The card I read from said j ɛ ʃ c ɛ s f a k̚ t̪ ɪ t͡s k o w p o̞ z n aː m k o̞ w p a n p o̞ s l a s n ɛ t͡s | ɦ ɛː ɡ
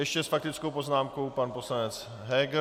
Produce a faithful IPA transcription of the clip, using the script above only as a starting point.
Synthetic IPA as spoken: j ɛ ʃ c ɛ s f a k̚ t̪ ɪ t͡s k o w p o̞ z n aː m k o̞ w p a n p o̞ s l a n ɛ t͡s | ɦ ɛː ɡ